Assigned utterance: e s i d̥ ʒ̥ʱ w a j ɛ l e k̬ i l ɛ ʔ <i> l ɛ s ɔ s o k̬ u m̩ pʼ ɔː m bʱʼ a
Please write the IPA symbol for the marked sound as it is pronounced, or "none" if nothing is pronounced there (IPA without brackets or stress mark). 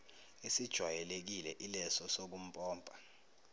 i